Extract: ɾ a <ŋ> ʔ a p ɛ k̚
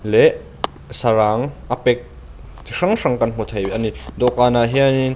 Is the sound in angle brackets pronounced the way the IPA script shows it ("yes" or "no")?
yes